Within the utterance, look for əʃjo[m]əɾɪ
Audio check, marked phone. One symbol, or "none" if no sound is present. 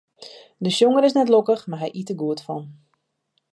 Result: ŋ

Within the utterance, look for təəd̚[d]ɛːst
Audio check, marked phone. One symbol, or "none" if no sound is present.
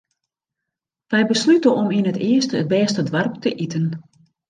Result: b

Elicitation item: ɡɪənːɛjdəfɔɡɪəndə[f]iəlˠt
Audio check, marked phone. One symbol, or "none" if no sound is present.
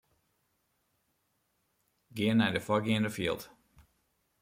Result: f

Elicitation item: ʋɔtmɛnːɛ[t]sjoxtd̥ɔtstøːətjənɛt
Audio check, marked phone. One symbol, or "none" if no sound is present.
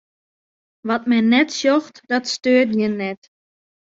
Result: t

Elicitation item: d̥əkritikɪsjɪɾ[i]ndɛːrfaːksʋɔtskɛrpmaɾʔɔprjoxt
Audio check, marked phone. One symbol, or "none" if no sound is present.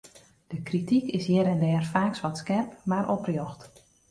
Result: ɛ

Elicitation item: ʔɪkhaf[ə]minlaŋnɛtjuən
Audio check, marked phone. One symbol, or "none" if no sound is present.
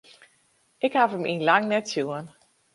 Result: ə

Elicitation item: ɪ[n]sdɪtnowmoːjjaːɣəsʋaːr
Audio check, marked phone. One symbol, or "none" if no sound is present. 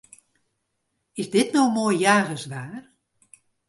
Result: none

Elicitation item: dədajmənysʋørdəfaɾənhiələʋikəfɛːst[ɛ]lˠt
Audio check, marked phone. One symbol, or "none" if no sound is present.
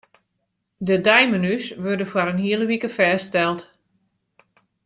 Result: ɛ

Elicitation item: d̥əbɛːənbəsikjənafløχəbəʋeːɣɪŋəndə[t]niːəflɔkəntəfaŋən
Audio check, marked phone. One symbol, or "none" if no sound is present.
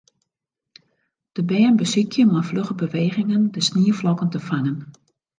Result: s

